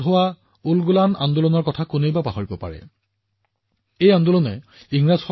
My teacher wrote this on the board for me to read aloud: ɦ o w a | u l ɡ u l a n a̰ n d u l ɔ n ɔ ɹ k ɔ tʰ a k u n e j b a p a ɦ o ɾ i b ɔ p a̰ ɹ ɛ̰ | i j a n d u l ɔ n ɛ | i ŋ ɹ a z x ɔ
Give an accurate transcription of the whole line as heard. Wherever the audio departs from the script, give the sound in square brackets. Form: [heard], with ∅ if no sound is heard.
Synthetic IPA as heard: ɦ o w a | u l ɡ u l a n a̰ n d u l ɔ n ɔ ɹ k ɔ tʰ a k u n e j b a p a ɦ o [ɹ] i b ɔ p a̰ ɹ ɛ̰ | [e] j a n d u l ɔ n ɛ | i ŋ ɹ a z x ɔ

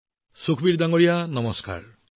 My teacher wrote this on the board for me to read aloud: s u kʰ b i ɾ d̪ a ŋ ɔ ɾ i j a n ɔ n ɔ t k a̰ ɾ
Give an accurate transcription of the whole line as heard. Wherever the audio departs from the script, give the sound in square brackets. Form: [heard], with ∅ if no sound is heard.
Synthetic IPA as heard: s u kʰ b i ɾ d̪ a ŋ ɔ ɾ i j a n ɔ [m] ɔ [s] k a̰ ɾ

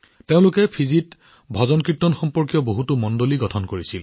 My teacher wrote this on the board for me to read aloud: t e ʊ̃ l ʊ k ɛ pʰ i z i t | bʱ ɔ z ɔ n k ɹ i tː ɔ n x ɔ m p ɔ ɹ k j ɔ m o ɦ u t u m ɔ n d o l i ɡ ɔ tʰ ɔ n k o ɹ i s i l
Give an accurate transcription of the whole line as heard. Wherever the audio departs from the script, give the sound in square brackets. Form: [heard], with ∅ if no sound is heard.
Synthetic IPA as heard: t e ʊ̃ l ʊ k ɛ pʰ i z i t | bʱ ɔ z ɔ n k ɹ i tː ɔ n x ɔ m p ɔ ɹ k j ɔ [b] o ɦ u t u m ɔ n d o l i ɡ ɔ tʰ ɔ n k o ɹ i s i l

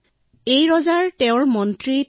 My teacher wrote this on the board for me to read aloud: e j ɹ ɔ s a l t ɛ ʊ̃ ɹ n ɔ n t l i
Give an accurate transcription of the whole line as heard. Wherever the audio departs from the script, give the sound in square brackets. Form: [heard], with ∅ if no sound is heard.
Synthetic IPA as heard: e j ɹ ɔ [z] a [ɹ] t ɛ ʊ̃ ɹ [m] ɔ n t [ɹ] i

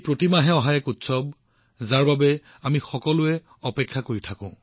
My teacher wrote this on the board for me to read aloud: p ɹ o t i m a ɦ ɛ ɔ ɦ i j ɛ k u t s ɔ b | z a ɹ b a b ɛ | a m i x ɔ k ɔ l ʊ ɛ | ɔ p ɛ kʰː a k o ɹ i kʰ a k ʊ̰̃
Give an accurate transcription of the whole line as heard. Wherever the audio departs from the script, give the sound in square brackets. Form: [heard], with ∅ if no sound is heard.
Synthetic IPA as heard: p ɹ o t i m a ɦ ɛ ɔ ɦ [a] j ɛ k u t s ɔ b | z a ɹ b a b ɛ | a m i x ɔ k ɔ l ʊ ɛ | ɔ p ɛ kʰː a k o ɹ i [tʰ] a k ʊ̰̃

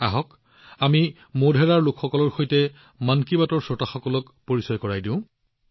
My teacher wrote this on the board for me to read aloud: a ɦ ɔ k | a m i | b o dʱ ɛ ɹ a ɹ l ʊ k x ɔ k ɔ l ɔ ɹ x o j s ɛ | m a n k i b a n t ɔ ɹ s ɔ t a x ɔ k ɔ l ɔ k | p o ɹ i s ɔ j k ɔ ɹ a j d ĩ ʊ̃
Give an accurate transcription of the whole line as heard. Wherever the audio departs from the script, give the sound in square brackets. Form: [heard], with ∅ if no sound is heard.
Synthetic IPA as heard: a ɦ ɔ k | a m i | [m] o dʱ ɛ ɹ a ɹ l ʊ k x ɔ k ɔ l ɔ ɹ x o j [t] ɛ | m a n k i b a [∅] t ɔ ɹ s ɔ t a x ɔ k ɔ l ɔ k | p o ɹ i s ɔ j k ɔ ɹ a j d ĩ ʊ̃

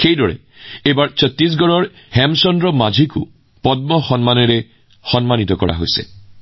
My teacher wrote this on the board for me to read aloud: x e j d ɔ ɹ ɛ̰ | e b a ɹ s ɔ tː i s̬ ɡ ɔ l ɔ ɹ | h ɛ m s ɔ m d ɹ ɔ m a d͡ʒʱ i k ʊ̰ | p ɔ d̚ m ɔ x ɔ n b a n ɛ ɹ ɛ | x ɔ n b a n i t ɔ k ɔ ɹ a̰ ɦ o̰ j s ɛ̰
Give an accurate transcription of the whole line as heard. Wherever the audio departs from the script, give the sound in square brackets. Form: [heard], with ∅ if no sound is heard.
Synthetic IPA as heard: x e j d ɔ ɹ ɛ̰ | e b a ɹ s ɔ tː i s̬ ɡ ɔ [ɹ] ɔ ɹ | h ɛ m s ɔ [n] d ɹ ɔ m a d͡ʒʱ i k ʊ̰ | p ɔ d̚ m ɔ x ɔ n [m] a n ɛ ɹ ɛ | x ɔ n [m] a n i t ɔ k ɔ ɹ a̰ ɦ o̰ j s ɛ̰

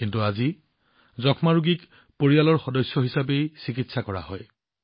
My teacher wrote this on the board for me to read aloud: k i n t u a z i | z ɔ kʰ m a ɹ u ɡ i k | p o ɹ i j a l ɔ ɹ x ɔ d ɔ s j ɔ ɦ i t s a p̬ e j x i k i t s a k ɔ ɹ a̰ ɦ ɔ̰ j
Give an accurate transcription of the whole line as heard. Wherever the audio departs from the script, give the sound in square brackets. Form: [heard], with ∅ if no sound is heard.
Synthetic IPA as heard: k i n t u a z i | z ɔ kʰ m a ɹ u ɡ i k | p o ɹ i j a l ɔ ɹ x ɔ d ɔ s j ɔ ɦ i [∅] s a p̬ e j [s] i k i t s a k ɔ ɹ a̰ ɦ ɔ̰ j

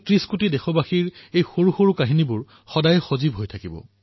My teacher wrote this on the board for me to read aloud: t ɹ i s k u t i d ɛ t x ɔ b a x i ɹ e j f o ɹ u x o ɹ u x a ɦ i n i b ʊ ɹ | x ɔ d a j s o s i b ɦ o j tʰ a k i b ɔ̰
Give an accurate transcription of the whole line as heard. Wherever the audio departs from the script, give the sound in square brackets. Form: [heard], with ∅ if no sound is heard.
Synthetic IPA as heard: t ɹ i s k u t i d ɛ [∅] x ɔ b a x i ɹ e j [x] o ɹ u x o ɹ u [k] a ɦ i n i b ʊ ɹ | x ɔ d a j [x] o [z] i b ɦ o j tʰ a k i b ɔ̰

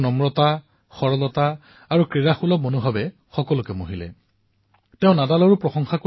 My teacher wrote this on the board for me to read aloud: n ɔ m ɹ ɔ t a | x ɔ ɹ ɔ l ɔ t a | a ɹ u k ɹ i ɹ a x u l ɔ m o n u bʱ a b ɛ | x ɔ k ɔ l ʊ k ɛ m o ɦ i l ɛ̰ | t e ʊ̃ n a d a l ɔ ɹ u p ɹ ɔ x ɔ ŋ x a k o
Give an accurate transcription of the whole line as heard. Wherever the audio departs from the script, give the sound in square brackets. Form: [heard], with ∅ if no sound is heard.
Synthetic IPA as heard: n ɔ m ɹ ɔ t a | x ɔ ɹ ɔ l ɔ t a | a ɹ u k ɹ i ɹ a x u l ɔ m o n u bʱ a b ɛ | x ɔ k ɔ l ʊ k ɛ m o ɦ i l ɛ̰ | t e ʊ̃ n a d a l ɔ ɹ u p ɹ ɔ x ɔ ŋ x a k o

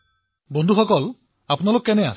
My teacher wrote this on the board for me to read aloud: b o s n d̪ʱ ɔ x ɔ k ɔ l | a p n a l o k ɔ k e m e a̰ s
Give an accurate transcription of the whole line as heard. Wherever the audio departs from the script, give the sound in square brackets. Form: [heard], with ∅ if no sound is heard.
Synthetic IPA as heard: b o [∅] n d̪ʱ [u] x ɔ k ɔ l | a p n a l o k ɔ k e [n] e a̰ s

